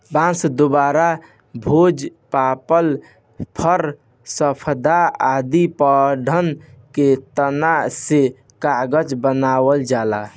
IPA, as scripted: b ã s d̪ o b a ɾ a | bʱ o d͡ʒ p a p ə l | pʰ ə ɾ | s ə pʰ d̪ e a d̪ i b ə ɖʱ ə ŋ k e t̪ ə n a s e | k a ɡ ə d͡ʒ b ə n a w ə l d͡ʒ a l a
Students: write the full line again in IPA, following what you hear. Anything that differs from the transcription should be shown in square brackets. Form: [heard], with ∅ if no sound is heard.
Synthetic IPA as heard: b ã s d̪ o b a ɾ a | bʱ o d͡ʒ p a p ə l | pʰ ə ɾ | s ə pʰ d̪ [a] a d̪ i [p] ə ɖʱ ə [n] k e t̪ ə n a s e | k a ɡ ə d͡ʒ b ə n a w ə l d͡ʒ a l a